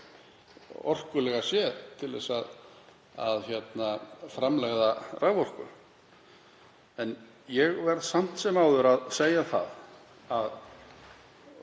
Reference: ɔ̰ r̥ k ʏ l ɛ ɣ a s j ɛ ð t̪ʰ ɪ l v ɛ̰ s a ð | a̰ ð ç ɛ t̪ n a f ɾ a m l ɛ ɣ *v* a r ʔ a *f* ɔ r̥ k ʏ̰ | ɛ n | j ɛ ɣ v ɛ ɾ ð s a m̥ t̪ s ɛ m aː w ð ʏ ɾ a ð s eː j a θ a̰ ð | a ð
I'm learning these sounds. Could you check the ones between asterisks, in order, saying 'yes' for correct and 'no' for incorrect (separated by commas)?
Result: no, no